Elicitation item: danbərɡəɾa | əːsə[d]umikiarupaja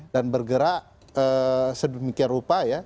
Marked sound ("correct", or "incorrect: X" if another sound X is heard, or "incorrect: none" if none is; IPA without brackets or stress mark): correct